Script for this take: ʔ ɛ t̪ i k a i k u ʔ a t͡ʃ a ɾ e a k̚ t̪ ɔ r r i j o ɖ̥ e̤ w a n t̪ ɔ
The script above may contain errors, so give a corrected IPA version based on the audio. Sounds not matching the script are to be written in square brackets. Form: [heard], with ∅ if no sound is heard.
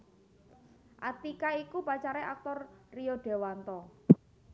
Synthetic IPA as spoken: ʔ [a] t̪ i k a i k u [p] a t͡ʃ a ɾ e a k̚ t̪ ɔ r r i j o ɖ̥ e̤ w a n t̪ ɔ